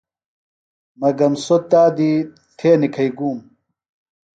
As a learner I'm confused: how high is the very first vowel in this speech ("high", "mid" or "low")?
low